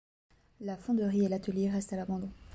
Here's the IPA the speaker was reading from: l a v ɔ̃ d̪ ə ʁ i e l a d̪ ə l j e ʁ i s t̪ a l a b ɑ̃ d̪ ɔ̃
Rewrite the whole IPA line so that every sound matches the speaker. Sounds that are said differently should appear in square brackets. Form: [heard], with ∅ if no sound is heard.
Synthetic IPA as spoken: l a [f] ɔ̃ d̪ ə ʁ i e l a [t̪] ə l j e ʁ [ɛ] s t̪ a l a b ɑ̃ d̪ ɔ̃